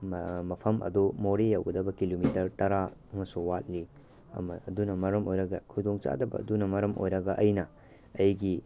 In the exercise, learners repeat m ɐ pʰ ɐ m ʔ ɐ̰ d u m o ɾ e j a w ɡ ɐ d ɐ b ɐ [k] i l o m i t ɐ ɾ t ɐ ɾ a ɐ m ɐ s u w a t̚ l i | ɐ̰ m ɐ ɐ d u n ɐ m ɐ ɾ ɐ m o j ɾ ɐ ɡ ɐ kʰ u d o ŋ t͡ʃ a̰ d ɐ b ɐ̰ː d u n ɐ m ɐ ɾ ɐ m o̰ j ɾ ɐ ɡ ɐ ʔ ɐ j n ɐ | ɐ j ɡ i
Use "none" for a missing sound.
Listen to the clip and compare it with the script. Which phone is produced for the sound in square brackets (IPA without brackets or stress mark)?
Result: k